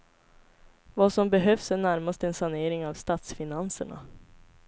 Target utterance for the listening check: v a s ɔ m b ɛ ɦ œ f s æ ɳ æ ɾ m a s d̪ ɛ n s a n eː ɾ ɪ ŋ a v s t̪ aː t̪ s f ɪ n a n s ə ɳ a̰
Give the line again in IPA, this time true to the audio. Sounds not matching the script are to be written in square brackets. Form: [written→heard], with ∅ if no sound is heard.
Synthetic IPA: v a s ɔ m b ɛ ɦ œ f s æ ɳ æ ɾ m a s [d̪→t̪] ɛ n s a n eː ɾ ɪ ŋ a v s t̪ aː t̪ s f ɪ n a n s ə ɳ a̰